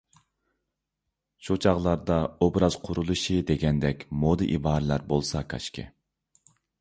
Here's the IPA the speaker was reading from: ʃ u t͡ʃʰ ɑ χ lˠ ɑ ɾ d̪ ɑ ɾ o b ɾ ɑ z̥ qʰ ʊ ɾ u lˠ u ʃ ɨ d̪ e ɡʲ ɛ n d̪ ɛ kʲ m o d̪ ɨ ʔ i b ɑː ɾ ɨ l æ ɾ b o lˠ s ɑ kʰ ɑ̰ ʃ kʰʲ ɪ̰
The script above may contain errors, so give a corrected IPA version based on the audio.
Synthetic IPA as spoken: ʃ u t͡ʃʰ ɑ ʁ lˠ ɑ ɾ d̪ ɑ o b ɾ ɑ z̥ qʰ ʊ ɾ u lˠ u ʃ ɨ d̪ e ɡʲ ɛ n d̪ ɛ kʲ m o d̪ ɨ ʔ i b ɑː ɾ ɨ l æ ɾ b o lˠ s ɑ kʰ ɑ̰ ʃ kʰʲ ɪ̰